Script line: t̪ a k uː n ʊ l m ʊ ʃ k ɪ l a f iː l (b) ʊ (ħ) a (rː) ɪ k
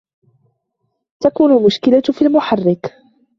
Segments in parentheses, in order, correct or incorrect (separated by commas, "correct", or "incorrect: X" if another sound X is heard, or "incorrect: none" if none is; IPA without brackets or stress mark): incorrect: m, correct, correct